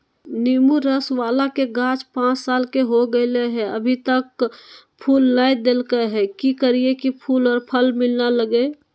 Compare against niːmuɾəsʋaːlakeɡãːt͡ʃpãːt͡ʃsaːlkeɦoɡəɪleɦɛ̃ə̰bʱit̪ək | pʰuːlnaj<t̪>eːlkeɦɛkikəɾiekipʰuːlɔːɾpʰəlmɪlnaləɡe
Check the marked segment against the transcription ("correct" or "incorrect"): incorrect